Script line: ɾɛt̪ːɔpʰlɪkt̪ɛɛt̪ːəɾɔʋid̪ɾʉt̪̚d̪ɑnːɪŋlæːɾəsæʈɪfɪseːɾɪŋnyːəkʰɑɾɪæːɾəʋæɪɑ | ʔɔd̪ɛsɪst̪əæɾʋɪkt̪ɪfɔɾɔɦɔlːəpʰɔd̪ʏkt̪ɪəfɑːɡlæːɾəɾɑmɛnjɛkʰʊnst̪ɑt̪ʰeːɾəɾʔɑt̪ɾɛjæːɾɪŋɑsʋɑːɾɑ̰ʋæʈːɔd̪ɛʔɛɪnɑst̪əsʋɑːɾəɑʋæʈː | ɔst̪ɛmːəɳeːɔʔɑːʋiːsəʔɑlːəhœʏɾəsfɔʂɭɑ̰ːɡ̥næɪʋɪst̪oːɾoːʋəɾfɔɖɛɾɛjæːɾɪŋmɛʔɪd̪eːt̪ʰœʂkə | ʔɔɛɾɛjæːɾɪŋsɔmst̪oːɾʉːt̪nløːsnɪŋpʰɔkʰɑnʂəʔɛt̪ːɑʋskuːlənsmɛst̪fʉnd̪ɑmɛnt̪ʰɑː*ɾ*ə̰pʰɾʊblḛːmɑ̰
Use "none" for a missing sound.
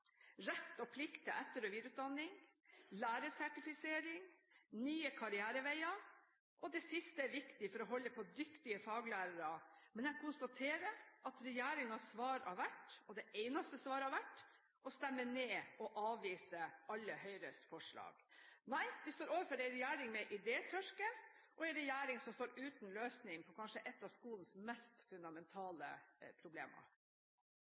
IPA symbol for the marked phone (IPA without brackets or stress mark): l